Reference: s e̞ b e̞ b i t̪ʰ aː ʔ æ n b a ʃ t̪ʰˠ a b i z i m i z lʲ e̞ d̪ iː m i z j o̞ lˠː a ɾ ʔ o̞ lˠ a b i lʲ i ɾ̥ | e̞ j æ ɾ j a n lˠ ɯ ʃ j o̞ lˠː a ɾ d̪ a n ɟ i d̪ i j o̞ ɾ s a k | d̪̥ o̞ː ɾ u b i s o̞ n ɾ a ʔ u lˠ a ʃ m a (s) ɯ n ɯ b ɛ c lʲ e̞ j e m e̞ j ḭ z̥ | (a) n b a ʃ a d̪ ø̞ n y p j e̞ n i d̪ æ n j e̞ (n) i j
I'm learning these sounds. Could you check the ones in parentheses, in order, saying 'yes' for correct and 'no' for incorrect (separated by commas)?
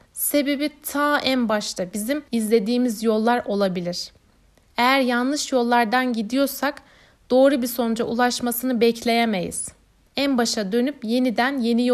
yes, no, yes